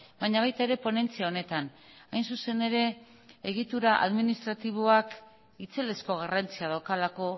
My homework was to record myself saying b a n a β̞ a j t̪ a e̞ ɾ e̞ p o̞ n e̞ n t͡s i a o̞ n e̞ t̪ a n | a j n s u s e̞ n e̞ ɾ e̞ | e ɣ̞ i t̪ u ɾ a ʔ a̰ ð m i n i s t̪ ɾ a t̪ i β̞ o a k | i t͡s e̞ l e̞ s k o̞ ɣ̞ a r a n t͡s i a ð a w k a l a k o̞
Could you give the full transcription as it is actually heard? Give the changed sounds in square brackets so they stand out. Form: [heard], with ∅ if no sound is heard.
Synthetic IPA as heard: b a [ɲ] a β̞ a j t̪ a e̞ ɾ e̞ p o̞ n e̞ n t͡s i a o̞ n e̞ t̪ a n | a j n s u s e̞ n e̞ ɾ e̞ | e ɣ̞ i t̪ u ɾ a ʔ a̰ ð m i n i s t̪ ɾ a t̪ i β̞ o a k | i t͡s e̞ l e̞ s k o̞ ɣ̞ a r a n t͡s i a ð a w k a l a k o̞